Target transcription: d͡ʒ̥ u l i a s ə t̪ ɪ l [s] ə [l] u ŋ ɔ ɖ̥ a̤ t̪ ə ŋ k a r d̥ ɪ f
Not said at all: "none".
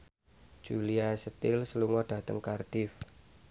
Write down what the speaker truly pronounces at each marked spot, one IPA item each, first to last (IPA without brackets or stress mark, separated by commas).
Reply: s, l